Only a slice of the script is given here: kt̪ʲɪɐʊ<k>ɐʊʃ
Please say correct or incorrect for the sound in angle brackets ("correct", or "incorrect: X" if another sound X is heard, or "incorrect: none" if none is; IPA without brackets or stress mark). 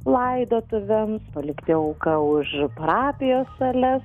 correct